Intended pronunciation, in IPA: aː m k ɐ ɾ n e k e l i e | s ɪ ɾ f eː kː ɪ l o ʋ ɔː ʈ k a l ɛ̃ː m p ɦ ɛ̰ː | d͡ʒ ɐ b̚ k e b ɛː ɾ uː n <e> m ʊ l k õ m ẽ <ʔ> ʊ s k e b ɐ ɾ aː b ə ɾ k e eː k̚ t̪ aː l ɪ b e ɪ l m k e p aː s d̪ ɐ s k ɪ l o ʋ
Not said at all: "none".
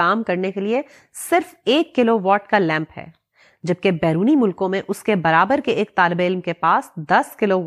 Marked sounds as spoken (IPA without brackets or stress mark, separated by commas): i, ʔ